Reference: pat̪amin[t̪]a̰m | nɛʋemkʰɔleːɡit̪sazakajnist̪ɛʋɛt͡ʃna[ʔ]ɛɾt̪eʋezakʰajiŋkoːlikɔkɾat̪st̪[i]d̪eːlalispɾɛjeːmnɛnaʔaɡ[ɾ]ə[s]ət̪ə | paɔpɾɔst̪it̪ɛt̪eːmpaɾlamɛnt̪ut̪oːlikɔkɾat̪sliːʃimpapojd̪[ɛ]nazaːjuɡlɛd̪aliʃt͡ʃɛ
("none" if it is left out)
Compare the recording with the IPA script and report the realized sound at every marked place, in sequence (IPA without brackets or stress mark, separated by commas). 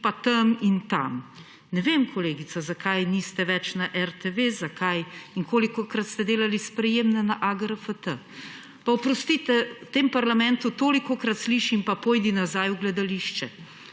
t̪, ʔ, ɛ, ɾ, f, i